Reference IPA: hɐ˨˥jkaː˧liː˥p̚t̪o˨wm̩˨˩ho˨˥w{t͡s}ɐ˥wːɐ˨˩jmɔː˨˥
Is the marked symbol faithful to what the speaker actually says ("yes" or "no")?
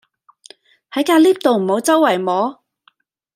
yes